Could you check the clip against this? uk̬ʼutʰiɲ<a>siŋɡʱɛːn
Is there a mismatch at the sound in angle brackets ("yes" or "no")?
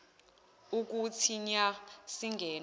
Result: no